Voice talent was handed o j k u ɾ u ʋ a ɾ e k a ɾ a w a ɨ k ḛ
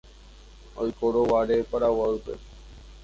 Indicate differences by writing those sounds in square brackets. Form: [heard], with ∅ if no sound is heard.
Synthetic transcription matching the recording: o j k [o] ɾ [o] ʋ a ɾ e [p] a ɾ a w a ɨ [p] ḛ